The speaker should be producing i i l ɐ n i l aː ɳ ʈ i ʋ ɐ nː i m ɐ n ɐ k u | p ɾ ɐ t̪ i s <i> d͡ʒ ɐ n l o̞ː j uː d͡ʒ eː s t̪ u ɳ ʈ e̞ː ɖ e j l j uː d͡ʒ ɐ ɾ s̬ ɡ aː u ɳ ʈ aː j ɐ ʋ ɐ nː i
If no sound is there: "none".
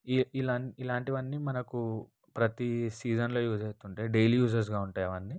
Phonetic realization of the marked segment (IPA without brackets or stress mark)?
iː